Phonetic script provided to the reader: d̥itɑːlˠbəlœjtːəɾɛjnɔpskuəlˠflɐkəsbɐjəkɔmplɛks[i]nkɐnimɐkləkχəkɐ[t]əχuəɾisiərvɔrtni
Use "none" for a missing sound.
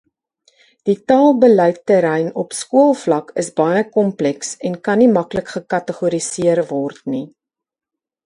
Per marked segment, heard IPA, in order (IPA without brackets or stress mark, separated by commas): ɛ, t